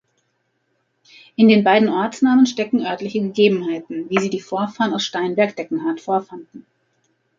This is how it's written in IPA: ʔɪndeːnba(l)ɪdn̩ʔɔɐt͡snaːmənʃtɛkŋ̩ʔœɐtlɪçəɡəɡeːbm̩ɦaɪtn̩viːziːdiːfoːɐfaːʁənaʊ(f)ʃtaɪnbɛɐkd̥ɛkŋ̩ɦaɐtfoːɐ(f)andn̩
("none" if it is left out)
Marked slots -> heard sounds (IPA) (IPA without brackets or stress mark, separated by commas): none, s, f